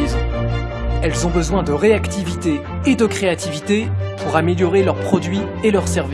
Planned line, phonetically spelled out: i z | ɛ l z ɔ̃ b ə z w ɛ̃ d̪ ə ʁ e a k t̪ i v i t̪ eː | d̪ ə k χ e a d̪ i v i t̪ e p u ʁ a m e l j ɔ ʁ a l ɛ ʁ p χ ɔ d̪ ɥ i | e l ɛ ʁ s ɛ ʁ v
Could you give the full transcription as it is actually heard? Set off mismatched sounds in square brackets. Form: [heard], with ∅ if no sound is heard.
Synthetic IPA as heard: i z | ɛ l z ɔ̃ b ə z w ɛ̃ d̪ ə ʁ e a k t̪ i v i t̪ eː | d̪ ə k χ e a [t̪] i v i t̪ e p u ʁ a m e l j ɔ ʁ [e] l [œ] ʁ p χ ɔ d̪ ɥ i | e l [œ] ʁ s ɛ ʁ v

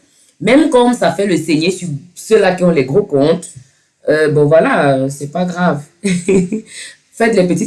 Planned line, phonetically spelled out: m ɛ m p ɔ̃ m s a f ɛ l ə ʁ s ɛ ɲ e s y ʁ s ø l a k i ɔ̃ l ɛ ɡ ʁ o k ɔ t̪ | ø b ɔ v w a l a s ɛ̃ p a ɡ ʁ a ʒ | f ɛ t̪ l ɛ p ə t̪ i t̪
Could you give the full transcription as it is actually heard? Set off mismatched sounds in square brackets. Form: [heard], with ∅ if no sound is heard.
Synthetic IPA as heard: m ɛ m [k] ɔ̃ m s a f ɛ l ə [∅] s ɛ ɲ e s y ʁ s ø l a k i ɔ̃ l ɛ ɡ ʁ o k [ɔ̃] t̪ | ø b [ɔ̃] v w a l a s [ɛ] p a ɡ ʁ a [v] | f ɛ t̪ l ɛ p ə t̪ i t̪

